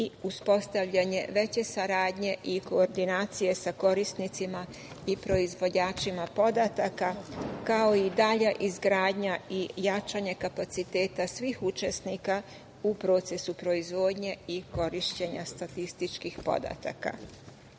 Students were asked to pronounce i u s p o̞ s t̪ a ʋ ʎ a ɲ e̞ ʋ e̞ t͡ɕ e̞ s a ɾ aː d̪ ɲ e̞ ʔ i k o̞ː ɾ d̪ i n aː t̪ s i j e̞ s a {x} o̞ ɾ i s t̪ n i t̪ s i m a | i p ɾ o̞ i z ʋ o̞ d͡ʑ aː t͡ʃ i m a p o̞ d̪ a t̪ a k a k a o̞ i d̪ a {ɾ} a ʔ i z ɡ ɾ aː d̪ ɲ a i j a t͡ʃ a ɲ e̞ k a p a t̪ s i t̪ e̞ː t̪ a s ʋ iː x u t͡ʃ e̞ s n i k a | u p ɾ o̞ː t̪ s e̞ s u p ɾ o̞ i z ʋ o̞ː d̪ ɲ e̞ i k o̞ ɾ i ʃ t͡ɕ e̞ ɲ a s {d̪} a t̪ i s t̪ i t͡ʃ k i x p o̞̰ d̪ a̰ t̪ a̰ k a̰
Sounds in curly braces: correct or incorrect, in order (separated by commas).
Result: incorrect, incorrect, incorrect